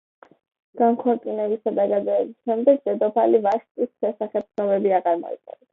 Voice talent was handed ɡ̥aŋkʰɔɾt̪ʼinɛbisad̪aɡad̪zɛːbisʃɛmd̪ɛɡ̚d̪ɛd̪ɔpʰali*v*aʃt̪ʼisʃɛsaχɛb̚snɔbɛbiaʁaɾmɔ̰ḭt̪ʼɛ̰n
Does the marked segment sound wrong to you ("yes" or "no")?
no